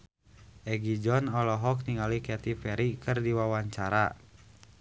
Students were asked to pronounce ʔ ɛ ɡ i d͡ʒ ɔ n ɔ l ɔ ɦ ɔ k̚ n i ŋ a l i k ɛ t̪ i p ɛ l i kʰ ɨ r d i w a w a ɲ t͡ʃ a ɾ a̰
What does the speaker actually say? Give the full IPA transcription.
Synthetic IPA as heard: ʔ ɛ ɡ i d͡ʒ ɔ n ɔ l ɔ ɦ ɔ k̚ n i ŋ a l i k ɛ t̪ i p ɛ ɾ i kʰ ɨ r d i w a w a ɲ t͡ʃ a ɾ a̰